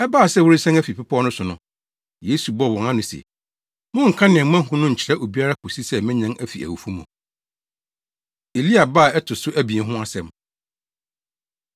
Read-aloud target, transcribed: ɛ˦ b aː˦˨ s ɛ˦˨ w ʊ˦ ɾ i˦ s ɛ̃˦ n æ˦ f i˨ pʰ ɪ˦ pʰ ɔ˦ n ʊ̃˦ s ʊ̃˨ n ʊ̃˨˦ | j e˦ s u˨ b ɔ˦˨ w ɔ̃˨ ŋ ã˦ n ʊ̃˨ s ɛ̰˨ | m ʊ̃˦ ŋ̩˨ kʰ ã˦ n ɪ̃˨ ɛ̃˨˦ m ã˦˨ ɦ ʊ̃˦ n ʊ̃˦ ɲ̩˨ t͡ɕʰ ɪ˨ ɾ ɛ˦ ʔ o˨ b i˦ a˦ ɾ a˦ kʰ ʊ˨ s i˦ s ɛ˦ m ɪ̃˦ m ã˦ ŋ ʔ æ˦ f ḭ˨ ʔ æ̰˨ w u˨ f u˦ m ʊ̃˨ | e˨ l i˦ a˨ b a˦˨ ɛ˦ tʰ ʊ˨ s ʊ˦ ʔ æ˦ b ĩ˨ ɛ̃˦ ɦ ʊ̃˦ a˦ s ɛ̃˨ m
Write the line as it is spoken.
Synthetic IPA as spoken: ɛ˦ b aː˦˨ s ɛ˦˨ w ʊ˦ ɾ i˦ s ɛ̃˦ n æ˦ f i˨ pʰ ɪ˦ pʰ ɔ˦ n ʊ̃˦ s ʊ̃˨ n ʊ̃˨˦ | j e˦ s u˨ b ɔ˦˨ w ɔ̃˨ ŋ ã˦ n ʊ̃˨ s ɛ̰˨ | m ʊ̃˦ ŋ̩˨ kʰ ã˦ n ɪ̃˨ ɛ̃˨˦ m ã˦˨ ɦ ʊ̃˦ n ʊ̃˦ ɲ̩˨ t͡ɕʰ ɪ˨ ɾ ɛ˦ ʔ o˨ b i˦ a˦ ɾ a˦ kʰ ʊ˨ s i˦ s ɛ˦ m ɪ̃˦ ɲ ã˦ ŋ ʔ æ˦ f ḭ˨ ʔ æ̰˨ w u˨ f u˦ m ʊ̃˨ | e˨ l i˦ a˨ b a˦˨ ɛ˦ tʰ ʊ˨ s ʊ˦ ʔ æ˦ b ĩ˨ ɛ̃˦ ɦ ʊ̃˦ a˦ s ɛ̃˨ m